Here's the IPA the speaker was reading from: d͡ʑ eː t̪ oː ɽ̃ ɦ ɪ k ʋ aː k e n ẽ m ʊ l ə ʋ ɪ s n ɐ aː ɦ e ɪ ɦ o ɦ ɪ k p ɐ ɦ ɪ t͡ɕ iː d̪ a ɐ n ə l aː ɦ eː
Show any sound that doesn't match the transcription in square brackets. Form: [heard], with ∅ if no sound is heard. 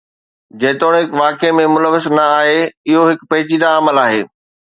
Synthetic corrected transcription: d͡ʑ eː t̪ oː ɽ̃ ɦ ɪ k ʋ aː k e [m] ẽ m ʊ l ə ʋ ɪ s n ɐ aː ɦ e ɪ ɦ o ɦ ɪ k p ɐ ɦ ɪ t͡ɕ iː d̪ a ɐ [m] ə l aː ɦ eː